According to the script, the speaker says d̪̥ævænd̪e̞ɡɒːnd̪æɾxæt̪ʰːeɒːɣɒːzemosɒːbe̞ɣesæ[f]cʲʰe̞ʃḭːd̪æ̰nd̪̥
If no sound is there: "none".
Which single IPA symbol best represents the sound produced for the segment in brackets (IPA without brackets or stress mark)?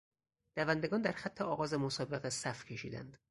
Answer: f